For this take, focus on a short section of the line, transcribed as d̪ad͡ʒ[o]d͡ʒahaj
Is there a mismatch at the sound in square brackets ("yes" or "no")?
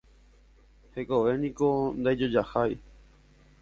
no